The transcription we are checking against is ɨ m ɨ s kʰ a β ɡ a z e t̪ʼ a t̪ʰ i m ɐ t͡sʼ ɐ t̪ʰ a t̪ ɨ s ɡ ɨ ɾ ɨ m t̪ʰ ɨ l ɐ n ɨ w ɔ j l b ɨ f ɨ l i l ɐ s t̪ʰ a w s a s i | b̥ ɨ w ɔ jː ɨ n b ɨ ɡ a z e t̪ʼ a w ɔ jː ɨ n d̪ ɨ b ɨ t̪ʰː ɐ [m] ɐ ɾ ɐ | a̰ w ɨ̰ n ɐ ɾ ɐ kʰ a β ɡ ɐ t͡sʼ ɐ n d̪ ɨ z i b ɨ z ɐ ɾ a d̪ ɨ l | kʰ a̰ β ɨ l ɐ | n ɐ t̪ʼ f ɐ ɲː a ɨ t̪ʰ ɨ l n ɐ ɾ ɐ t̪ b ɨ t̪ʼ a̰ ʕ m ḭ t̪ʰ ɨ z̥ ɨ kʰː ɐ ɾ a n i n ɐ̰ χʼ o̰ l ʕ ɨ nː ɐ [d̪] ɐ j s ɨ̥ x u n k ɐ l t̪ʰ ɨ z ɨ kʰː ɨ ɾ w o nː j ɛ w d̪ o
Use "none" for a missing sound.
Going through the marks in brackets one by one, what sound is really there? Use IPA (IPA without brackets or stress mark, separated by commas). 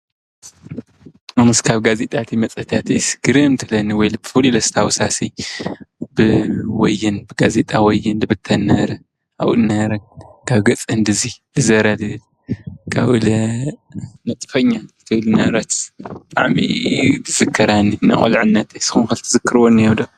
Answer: n, t̪